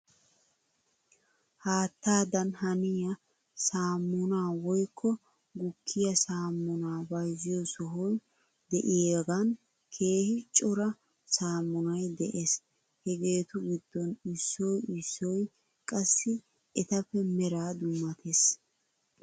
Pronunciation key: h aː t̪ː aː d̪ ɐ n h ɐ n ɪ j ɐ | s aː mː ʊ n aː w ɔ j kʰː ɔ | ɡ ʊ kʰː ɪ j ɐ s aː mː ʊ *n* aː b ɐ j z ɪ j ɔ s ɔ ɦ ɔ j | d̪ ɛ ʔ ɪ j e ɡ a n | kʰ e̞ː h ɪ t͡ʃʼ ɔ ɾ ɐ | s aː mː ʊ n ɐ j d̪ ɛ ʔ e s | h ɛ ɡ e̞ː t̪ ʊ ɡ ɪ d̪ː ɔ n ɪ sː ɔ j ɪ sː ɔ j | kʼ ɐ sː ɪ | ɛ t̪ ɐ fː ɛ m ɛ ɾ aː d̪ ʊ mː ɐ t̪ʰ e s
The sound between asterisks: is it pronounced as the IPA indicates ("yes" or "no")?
yes